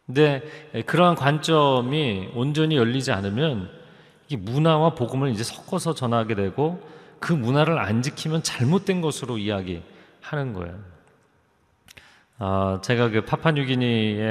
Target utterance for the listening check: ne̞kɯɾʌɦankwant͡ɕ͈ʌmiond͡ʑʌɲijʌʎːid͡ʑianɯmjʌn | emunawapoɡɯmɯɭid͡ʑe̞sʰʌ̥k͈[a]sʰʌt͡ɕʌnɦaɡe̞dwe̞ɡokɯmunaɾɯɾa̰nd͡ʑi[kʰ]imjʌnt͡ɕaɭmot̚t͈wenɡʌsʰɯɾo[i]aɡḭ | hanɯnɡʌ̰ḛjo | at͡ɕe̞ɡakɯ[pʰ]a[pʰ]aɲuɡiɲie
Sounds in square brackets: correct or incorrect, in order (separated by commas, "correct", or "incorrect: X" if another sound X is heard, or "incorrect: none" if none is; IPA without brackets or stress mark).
incorrect: ʌ, correct, correct, correct, correct